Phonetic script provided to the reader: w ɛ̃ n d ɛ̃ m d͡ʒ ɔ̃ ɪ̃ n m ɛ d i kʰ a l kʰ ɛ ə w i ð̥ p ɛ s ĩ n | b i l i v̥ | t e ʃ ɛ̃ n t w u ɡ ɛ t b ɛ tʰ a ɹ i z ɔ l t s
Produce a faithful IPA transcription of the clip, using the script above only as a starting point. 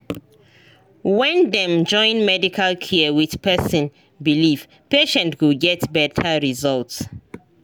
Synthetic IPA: w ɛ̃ n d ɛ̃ m d͡ʒ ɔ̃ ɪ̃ n m ɛ d i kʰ a l kʰ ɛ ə w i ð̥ p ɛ s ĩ n | b i l i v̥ | p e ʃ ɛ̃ n t w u ɡ ɛ t b ɛ tʰ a ɹ i z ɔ l t s